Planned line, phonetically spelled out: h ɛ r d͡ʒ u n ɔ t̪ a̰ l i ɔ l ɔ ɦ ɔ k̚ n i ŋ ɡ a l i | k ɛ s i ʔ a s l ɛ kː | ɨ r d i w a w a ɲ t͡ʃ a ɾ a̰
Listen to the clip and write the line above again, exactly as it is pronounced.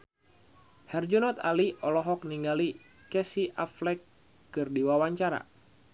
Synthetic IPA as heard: h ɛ r d͡ʒ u n ɔ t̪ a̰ l i ɔ l ɔ ɦ ɔ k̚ n i ŋ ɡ a l i | k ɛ s i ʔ a f l ɛ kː | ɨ r d i w a w a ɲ t͡ʃ a ɾ a̰